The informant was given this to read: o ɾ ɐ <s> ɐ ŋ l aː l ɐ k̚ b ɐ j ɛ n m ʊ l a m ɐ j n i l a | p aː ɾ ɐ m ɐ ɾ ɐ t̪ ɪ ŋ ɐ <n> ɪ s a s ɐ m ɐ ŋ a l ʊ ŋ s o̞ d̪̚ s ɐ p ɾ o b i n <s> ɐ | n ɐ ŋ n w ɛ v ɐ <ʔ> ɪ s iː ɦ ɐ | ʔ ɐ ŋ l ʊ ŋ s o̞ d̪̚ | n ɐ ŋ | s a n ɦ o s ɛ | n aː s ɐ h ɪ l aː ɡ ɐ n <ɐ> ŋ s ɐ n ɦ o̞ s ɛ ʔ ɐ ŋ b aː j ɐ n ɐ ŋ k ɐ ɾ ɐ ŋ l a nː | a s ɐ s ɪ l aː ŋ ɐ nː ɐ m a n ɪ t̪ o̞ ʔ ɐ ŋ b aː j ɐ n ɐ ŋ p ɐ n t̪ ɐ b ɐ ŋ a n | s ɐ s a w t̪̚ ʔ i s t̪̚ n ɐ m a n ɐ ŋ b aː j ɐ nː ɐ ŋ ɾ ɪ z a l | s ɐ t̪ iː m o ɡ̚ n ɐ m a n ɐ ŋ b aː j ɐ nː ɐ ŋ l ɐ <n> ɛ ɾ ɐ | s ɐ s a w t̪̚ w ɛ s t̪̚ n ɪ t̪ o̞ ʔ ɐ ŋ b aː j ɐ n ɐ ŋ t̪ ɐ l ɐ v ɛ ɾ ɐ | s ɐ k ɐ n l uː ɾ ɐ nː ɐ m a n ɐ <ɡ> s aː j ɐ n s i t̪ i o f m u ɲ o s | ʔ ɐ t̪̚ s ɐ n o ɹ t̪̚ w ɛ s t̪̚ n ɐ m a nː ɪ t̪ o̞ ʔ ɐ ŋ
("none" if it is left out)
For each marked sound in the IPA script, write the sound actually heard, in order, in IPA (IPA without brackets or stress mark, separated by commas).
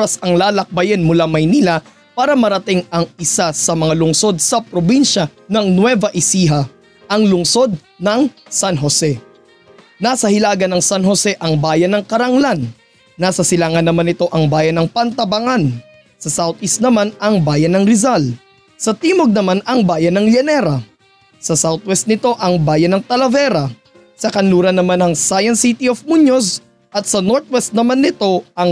s, ŋ, ʃ, ʔ, ɐ, n, ŋ